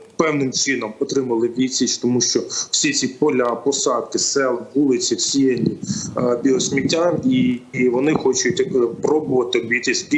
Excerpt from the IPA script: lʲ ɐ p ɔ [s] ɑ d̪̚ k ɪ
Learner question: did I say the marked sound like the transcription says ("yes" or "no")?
yes